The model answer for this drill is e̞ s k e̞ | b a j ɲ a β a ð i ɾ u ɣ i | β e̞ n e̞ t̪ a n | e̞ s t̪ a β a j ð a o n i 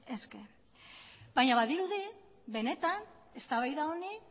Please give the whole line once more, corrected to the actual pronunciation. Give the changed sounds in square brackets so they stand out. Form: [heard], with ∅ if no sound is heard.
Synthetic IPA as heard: e̞ s k e̞ | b a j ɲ a β a ð i ɾ u [ð] i | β e̞ n e̞ t̪ a n | e̞ s t̪ a β a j ð a o n i